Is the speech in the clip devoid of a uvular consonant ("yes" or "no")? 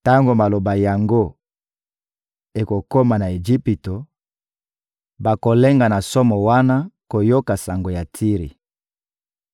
no